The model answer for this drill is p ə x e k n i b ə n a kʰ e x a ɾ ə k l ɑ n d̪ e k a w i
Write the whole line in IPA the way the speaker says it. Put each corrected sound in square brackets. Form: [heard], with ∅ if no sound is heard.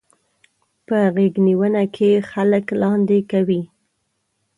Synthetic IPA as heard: p ə [ɣ] e [ɡ] n i [w] ə n a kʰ e x a [l] ə k l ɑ n d̪ e k a w i